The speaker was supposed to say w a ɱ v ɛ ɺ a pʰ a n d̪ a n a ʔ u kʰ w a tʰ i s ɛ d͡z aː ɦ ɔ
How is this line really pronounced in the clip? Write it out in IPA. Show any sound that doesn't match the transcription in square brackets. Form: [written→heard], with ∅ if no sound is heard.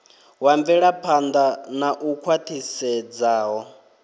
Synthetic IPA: w a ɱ v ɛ ɺ a pʰ a n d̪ a n a ʔ u kʰ w a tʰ i s ɛ d͡z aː ɦ ɔ